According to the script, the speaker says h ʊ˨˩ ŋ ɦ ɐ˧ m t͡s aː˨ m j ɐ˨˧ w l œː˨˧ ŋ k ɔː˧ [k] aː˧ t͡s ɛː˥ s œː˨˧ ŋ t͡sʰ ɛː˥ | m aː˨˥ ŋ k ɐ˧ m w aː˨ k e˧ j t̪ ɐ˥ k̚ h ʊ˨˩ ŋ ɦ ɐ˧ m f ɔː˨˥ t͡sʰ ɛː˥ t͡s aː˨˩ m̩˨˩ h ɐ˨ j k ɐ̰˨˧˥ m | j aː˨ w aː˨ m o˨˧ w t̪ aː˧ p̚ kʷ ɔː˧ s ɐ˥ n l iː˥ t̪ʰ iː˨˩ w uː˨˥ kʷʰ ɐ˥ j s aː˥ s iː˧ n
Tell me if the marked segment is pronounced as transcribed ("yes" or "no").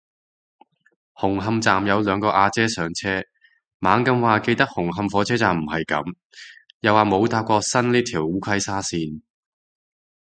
no